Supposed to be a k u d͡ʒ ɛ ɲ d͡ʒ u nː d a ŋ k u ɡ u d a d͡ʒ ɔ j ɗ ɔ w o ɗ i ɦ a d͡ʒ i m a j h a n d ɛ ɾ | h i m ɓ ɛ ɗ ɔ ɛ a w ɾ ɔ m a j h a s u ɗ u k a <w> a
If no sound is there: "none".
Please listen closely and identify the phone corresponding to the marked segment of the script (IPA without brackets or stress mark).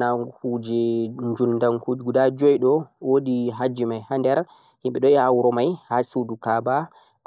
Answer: b